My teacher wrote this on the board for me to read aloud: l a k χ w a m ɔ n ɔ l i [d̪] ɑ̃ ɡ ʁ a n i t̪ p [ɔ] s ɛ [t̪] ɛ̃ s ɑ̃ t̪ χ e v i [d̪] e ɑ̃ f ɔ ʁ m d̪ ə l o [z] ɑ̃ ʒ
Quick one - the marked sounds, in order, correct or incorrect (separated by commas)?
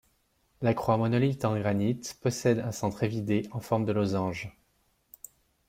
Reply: incorrect, correct, incorrect, correct, correct